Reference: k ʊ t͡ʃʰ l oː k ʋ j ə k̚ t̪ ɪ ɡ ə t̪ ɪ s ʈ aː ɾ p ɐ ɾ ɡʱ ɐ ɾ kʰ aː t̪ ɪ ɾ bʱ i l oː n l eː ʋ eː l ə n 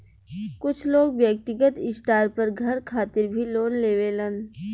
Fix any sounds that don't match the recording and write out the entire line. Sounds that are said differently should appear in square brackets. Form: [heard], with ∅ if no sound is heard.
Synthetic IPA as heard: k ʊ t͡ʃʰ l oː [ɡ] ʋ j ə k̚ t̪ ɪ ɡ ə t̪ ɪ s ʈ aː ɾ p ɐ ɾ ɡʱ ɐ ɾ kʰ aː t̪ ɪ ɾ bʱ i l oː n l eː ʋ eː l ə n